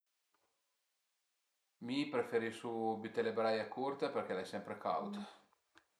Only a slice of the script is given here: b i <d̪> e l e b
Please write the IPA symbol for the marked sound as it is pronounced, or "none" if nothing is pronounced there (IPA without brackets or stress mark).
t̪